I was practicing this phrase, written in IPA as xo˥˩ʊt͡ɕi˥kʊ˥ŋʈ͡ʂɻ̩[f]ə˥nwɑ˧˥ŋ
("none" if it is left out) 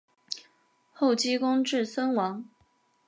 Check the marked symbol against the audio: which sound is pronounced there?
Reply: s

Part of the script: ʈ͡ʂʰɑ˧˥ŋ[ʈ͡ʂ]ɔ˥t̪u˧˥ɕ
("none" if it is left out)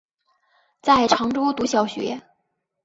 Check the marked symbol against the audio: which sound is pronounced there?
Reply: ʈ͡ʂ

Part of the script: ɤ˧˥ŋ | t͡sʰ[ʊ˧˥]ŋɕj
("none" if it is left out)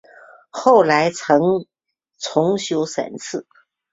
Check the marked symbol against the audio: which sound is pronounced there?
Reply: ʊ˧˥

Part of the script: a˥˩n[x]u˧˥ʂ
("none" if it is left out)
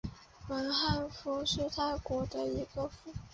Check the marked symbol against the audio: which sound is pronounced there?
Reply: f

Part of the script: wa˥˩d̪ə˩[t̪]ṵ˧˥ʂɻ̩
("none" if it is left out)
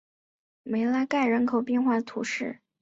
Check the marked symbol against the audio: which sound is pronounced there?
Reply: t̪ʰ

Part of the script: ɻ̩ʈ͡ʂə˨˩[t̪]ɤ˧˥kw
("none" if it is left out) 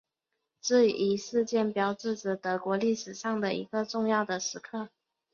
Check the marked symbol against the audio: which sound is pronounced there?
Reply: t̪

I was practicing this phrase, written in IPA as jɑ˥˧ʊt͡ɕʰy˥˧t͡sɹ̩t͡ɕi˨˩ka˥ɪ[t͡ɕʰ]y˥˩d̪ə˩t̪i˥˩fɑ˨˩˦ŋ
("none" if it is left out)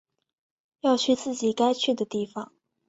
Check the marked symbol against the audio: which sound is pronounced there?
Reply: t͡ɕʰ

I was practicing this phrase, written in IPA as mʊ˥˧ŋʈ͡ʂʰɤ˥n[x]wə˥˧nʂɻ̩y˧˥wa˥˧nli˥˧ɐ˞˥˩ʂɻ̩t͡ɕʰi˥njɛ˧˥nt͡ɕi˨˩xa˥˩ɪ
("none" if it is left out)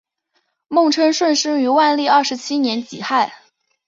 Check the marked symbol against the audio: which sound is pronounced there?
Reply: ʂ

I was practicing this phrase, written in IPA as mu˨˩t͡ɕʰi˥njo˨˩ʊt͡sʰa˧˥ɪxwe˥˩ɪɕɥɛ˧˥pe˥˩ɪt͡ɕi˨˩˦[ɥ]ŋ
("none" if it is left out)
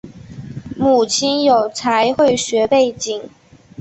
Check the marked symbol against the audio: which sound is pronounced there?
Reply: none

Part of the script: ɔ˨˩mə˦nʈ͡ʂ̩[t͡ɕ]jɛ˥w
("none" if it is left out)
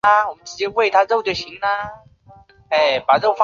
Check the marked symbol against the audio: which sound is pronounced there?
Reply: t͡ɕ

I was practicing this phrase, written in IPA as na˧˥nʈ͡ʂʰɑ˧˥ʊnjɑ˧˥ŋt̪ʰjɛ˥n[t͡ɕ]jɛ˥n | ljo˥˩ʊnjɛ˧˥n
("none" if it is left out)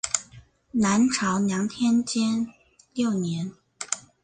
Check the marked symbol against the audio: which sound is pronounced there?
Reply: t͡ɕ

